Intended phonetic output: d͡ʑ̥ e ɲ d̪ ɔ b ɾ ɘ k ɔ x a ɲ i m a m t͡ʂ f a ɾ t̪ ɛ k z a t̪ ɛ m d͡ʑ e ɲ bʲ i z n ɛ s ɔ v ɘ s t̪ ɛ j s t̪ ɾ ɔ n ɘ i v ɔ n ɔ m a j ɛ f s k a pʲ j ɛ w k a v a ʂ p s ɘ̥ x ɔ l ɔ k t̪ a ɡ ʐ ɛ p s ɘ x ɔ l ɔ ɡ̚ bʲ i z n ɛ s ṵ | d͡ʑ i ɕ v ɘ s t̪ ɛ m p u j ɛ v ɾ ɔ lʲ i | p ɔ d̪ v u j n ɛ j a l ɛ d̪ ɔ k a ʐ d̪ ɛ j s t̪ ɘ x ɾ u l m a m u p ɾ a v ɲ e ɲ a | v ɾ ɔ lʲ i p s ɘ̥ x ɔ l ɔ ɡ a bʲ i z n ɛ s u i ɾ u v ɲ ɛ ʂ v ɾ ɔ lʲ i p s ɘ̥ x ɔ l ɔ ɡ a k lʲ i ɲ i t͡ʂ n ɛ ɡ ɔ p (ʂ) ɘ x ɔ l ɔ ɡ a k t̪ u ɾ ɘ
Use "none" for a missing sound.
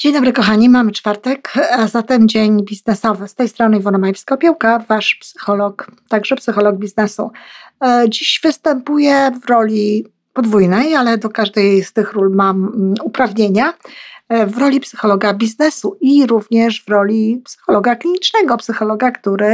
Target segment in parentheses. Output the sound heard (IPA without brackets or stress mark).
s